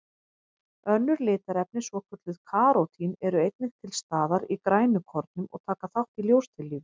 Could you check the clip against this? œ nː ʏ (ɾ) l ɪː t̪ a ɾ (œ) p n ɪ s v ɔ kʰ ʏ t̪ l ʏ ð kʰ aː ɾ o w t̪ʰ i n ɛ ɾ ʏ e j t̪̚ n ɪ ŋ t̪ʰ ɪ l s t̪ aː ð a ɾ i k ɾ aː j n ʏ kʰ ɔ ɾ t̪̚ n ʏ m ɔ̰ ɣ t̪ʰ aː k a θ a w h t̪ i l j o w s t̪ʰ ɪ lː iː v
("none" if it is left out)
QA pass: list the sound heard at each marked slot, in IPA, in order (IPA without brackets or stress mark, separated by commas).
ɾ, ɛ